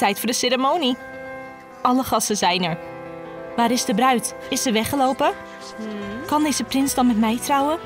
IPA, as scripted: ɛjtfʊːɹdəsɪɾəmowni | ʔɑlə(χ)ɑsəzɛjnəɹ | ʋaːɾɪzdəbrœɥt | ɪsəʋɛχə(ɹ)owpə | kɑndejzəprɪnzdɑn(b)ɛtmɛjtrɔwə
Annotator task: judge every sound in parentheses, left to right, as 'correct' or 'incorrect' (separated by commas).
correct, incorrect, incorrect